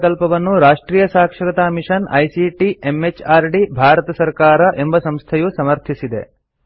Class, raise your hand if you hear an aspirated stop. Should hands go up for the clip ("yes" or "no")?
yes